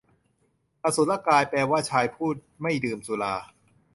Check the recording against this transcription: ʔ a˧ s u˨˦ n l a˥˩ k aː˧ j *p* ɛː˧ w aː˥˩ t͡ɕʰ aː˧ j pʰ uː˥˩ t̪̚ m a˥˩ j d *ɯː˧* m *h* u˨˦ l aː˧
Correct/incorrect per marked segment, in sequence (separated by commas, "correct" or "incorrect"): correct, correct, incorrect